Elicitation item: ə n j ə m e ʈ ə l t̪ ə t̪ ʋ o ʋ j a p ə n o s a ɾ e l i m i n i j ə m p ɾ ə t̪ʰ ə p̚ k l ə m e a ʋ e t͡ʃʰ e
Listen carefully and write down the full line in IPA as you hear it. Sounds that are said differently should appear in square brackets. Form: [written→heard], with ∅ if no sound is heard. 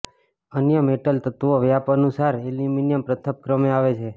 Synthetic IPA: ə n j ə m e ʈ ə l t̪ ə t̪ ʋ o ʋ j a p ə n [o→u] s a ɾ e l i m i n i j ə m p ɾ ə t̪ʰ ə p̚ k [l→ɾ] ə m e a ʋ e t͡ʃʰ e